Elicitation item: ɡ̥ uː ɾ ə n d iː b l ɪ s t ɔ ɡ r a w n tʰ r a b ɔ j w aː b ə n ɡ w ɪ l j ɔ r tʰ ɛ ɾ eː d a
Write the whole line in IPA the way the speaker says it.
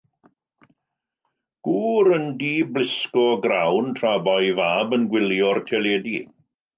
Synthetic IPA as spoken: ɡ̥ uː ɾ ə n d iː b l ɪ s k ɔ ɡ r a w n tʰ r a b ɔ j v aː b ə n ɡ w ɪ l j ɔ r tʰ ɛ l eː d i